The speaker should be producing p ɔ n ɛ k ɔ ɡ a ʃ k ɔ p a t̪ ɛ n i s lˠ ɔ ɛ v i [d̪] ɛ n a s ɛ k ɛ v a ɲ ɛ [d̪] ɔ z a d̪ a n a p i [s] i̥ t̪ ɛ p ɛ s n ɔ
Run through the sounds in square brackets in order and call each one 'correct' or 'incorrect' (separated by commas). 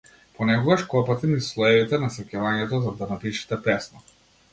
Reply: incorrect, incorrect, incorrect